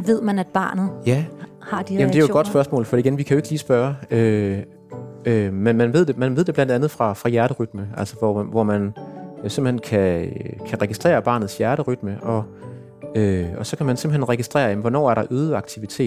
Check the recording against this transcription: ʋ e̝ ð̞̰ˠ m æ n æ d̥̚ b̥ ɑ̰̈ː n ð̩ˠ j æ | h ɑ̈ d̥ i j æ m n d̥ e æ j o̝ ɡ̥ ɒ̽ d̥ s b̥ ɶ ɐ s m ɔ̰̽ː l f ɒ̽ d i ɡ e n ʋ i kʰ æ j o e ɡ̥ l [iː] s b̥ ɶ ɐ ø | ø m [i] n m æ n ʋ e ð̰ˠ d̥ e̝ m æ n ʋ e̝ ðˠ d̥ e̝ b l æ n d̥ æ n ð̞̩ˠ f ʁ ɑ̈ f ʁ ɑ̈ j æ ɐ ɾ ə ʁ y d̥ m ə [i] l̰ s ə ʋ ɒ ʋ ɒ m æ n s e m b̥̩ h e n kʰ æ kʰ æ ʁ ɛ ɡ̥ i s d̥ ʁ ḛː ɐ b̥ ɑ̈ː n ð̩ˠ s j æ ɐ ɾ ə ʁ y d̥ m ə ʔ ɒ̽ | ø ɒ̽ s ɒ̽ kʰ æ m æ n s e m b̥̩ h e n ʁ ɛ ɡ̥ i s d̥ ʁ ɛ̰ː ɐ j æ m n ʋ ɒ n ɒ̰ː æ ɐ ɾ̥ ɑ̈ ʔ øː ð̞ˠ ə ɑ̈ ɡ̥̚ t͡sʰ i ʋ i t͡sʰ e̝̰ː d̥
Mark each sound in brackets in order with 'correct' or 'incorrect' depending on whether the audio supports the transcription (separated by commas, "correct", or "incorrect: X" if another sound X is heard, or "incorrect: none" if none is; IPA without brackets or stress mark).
correct, incorrect: e, incorrect: æ